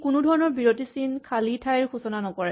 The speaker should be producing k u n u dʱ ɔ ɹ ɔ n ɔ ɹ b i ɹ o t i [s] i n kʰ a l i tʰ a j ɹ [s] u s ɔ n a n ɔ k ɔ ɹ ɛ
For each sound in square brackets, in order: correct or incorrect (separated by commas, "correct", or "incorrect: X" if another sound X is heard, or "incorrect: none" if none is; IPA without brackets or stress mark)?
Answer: correct, incorrect: x